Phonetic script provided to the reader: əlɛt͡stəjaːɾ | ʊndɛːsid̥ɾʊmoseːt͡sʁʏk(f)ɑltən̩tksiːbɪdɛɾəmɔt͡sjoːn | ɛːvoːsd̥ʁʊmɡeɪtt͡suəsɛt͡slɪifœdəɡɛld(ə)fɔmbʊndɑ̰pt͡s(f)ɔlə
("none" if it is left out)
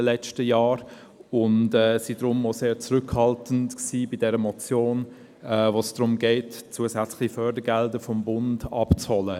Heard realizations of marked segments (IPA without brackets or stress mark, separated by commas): h, ə, h